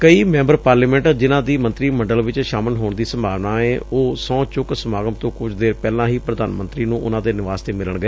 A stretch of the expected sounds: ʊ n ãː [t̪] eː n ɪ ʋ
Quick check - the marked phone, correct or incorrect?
incorrect: d̪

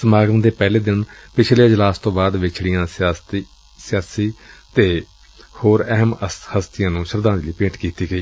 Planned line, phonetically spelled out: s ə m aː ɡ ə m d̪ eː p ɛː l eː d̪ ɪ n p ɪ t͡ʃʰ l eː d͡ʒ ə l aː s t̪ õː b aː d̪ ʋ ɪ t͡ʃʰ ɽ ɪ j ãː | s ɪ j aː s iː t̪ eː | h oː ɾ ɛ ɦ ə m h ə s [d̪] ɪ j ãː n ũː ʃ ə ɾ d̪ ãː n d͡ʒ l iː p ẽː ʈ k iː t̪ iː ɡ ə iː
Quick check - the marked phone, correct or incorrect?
incorrect: t̪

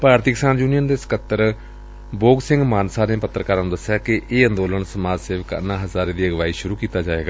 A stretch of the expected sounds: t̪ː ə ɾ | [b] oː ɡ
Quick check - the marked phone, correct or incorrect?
correct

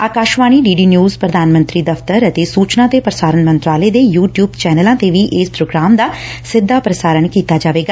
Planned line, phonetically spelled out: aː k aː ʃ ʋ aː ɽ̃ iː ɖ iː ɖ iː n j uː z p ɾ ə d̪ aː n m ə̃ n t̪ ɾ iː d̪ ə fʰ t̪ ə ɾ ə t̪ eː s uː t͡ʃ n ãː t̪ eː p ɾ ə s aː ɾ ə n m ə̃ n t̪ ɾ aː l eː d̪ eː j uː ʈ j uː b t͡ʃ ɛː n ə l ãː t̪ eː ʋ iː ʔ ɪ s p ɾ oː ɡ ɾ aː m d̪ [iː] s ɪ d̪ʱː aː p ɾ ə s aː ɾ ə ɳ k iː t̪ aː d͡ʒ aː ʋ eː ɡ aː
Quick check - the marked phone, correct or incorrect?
incorrect: aː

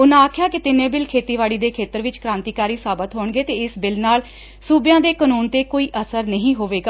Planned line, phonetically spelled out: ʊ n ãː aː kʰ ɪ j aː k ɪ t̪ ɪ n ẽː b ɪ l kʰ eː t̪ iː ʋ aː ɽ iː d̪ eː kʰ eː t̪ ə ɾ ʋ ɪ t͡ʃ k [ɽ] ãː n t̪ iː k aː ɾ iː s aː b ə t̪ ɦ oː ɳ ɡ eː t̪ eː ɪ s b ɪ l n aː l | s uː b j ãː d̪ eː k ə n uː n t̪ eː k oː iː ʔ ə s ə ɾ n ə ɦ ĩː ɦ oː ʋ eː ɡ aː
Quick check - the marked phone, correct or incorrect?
incorrect: ɾ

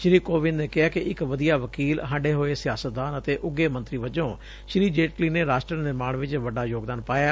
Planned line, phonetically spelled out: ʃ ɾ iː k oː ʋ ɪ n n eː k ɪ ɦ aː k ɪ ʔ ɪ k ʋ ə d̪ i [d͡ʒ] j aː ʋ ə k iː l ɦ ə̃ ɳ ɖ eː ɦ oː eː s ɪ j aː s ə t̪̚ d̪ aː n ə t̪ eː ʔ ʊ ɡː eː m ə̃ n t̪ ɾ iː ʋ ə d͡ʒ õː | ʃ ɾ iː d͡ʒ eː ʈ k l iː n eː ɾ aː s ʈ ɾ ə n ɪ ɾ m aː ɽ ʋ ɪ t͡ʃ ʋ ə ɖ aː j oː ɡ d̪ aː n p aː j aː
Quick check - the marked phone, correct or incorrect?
incorrect: none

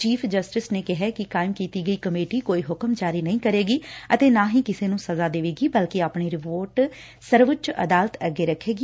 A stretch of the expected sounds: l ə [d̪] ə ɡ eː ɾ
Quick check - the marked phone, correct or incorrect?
incorrect: t̪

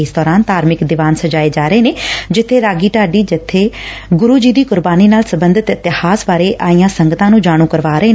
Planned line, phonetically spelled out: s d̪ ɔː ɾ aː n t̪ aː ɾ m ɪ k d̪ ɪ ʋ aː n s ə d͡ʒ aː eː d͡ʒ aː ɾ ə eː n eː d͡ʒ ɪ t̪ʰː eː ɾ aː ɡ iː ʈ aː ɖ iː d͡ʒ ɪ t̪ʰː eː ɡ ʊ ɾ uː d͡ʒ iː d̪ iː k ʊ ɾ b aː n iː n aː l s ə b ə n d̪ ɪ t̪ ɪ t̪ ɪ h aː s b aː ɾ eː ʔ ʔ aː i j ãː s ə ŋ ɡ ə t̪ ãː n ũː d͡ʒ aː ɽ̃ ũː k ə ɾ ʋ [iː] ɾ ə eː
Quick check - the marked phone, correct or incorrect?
incorrect: aː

